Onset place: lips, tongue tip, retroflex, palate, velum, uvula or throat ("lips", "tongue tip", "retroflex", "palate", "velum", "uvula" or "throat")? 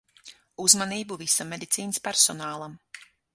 tongue tip